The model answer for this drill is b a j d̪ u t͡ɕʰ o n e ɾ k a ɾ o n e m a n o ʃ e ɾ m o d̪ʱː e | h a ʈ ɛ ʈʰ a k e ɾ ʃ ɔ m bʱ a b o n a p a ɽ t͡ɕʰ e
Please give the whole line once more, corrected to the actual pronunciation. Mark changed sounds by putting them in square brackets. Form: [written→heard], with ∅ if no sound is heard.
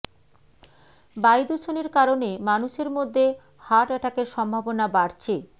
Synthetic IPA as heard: b a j d̪ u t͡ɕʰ o n e ɾ k a ɾ o n e m a n [o→u] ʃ e ɾ m o d̪ʱː e | h a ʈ ɛ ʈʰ a k e ɾ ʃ ɔ m bʱ a b o n a [p→b] a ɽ t͡ɕʰ e